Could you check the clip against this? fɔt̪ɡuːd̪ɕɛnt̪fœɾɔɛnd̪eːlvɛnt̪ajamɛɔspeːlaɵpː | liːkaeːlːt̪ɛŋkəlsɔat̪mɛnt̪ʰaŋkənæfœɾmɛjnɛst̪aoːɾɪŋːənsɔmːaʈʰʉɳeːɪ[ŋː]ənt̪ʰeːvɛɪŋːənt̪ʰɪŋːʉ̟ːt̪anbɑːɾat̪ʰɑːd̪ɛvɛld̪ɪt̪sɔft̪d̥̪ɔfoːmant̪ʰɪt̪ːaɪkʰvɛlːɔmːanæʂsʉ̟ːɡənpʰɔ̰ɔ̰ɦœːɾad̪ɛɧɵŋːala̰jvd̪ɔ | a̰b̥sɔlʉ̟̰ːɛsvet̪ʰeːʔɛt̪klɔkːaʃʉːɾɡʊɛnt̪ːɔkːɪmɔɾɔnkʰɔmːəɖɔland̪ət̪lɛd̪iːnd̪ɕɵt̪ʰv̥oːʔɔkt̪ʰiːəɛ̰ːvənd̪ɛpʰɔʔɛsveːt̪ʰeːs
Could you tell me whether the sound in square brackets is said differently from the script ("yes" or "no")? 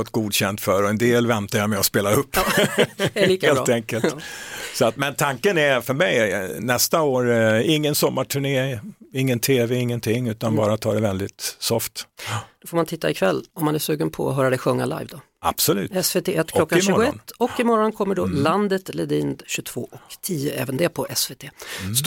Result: no